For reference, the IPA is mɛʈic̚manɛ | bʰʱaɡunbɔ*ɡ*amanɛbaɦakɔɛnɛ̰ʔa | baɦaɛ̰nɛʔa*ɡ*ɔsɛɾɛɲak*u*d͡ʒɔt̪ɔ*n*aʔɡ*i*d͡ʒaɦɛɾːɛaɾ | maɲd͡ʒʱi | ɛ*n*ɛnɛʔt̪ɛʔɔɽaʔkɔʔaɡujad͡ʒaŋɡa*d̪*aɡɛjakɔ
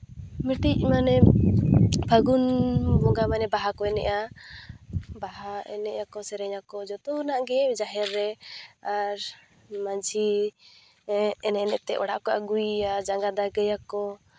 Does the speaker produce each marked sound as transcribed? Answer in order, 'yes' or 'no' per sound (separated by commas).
yes, no, no, yes, no, yes, yes